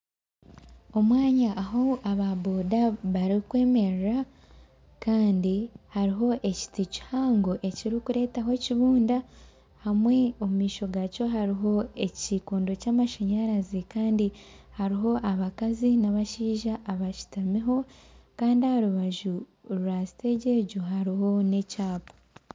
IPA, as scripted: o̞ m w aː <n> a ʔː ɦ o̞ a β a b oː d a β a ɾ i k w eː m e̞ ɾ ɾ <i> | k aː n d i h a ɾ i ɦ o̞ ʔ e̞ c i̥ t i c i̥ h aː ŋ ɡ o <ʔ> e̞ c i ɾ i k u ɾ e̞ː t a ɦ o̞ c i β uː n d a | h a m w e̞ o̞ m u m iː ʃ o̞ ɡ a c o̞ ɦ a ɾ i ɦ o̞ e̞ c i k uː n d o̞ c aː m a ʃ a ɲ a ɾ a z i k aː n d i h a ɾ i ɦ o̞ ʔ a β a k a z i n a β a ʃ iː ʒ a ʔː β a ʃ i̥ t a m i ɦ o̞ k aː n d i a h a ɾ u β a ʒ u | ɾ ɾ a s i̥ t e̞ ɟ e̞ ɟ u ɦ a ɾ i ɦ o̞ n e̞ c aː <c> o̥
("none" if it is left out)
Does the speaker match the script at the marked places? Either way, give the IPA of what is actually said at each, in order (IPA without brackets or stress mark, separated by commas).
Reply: ɲ, a, ʔ, p